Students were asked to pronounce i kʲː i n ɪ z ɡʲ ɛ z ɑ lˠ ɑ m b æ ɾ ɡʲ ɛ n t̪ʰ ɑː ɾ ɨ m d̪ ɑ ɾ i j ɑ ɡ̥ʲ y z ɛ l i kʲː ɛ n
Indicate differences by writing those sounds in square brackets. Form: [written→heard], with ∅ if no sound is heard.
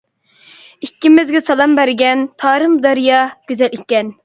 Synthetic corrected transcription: i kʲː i [n→m] ɪ z ɡʲ ɛ [z→s] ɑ lˠ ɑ m b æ ɾ ɡʲ ɛ n t̪ʰ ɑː ɾ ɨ m d̪ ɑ ɾ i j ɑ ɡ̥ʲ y z ɛ l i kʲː ɛ n